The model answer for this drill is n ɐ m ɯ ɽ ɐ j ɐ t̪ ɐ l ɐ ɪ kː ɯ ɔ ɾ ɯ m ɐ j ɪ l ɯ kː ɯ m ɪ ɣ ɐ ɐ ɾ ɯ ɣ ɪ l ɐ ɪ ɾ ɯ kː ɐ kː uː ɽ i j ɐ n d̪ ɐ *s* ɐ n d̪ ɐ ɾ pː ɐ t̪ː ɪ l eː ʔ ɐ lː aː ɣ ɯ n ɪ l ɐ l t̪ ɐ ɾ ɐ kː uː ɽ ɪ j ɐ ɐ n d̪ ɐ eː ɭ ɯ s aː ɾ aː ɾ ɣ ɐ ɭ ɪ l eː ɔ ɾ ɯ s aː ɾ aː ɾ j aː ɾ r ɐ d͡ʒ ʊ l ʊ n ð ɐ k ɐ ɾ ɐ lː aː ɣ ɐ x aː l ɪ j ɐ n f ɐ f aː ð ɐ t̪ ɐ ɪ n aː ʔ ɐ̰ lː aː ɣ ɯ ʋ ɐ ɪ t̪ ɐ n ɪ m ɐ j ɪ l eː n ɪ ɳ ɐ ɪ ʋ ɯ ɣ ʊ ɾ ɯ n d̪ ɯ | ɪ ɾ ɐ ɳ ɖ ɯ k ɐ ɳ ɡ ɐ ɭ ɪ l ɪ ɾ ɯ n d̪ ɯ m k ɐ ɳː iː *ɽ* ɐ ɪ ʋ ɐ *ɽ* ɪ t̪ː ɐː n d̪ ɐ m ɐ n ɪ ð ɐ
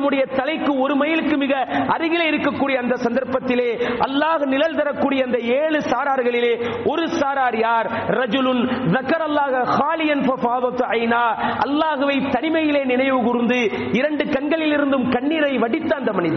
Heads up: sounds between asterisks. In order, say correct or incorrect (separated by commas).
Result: correct, incorrect, correct